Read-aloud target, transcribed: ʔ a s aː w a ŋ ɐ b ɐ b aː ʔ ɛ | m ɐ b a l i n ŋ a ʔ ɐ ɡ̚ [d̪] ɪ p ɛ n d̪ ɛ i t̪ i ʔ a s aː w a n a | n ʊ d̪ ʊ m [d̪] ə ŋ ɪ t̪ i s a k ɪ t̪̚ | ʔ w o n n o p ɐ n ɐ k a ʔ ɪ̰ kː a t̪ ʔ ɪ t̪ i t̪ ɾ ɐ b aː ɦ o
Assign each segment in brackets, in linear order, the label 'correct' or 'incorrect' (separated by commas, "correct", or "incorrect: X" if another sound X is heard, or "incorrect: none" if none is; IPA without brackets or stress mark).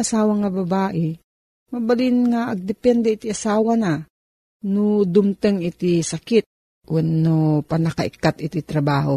correct, incorrect: t̪